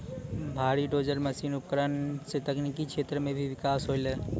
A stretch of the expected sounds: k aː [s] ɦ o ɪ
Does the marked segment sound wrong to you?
no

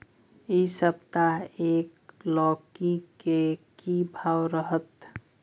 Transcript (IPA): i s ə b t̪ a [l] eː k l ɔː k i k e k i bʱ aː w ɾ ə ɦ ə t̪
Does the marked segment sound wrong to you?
yes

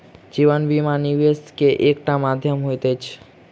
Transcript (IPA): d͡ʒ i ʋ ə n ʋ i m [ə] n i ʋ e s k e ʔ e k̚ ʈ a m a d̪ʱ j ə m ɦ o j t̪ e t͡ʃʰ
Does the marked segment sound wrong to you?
yes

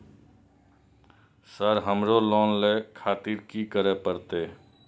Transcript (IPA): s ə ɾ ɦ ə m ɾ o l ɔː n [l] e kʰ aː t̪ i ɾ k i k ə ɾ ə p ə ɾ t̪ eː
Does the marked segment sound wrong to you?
no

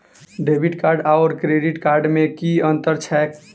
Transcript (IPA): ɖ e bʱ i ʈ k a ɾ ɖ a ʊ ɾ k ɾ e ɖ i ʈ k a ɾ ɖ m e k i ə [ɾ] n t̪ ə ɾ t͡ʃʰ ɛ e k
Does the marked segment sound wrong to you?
yes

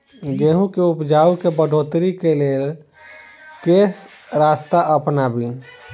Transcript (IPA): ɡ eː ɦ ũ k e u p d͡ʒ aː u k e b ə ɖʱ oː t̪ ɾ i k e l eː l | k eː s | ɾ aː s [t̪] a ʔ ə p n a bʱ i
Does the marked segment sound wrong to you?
no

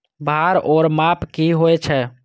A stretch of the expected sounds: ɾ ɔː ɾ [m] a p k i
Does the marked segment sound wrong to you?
no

